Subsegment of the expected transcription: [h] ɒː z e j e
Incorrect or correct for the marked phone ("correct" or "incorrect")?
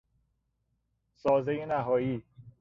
incorrect